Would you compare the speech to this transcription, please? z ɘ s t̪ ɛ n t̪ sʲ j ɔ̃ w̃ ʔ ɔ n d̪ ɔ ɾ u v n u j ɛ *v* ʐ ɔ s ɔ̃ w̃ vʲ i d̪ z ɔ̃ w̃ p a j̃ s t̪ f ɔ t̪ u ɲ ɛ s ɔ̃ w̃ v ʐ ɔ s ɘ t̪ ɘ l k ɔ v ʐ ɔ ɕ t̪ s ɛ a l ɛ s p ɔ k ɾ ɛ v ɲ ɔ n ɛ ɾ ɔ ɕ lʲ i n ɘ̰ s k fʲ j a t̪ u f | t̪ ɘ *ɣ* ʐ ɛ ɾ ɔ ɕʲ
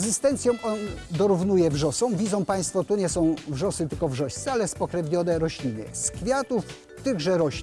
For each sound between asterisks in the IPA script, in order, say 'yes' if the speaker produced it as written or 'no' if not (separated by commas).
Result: yes, yes